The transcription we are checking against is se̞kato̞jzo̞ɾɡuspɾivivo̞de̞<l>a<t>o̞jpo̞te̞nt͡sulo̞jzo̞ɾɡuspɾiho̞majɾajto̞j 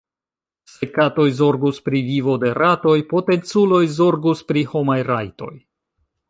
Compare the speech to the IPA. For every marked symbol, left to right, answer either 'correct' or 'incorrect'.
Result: incorrect: ɾ, correct

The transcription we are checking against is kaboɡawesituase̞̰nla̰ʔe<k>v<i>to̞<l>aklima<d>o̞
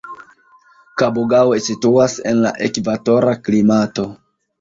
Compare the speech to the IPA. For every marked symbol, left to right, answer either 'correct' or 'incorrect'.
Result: correct, incorrect: a, incorrect: ɾ, incorrect: t

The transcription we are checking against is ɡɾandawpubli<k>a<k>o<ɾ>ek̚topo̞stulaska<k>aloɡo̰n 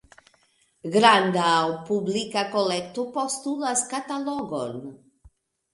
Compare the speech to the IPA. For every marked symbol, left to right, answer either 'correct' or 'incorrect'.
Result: correct, correct, incorrect: l, incorrect: t

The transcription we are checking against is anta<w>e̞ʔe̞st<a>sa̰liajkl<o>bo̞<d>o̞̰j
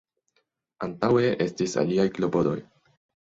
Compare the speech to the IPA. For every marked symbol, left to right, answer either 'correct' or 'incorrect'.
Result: correct, incorrect: i, correct, correct

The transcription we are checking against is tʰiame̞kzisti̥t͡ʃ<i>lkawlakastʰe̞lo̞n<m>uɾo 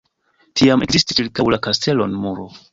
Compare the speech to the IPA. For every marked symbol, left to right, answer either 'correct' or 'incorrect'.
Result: correct, correct

